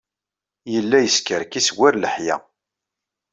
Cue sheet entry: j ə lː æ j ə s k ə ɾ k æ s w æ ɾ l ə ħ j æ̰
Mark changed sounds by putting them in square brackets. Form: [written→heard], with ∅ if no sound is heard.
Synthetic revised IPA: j ə lː æ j ə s k ə ɾ k [æ→i] s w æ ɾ l ə ħ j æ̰